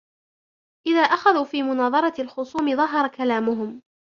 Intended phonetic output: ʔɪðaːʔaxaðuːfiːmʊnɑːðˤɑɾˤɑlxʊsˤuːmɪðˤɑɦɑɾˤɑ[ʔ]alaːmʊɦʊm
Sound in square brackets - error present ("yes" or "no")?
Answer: yes